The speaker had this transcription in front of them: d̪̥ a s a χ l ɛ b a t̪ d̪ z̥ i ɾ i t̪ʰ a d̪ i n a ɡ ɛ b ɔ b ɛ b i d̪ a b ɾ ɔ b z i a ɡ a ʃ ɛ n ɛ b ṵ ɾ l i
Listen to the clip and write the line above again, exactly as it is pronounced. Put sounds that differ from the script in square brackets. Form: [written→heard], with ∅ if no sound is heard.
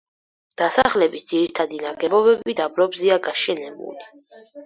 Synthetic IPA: d̪̥ a s a χ l ɛ b [a→i] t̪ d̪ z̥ i ɾ i t̪ʰ a d̪ i n a ɡ ɛ b ɔ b ɛ b i d̪ a b ɾ ɔ b z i a ɡ a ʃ ɛ n ɛ b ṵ [ɾ→∅] l i